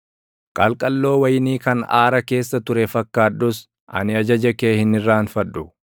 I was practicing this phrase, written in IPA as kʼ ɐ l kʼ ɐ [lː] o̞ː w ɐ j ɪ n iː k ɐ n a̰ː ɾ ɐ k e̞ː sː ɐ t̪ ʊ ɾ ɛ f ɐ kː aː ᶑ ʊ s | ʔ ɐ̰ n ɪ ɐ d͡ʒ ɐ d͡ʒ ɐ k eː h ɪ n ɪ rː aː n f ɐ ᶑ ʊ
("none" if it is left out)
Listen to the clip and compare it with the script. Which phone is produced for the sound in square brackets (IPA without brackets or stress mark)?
lː